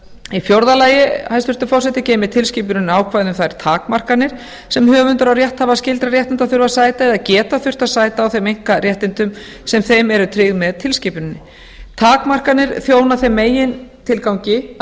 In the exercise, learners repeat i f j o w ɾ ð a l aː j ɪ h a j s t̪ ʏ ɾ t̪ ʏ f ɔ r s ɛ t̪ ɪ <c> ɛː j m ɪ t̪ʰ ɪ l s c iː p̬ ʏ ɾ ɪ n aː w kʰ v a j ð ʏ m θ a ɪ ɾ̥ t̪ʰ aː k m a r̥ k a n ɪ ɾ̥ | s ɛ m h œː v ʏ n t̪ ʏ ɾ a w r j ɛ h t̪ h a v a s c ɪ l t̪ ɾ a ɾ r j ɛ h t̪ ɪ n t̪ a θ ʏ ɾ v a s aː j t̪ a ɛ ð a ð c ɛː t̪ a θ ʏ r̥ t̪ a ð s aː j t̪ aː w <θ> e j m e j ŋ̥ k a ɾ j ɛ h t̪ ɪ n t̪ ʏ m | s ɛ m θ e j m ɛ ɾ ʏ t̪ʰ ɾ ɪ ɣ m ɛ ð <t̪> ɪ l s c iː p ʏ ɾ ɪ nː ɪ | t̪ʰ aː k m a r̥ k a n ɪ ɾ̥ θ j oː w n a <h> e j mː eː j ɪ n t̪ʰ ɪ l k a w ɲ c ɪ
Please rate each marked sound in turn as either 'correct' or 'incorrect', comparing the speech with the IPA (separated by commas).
correct, correct, incorrect, incorrect